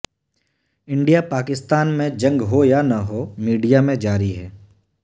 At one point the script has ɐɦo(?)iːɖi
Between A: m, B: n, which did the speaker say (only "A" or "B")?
A